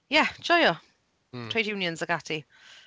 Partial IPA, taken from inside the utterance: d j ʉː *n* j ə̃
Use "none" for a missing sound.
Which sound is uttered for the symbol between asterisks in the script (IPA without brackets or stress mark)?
n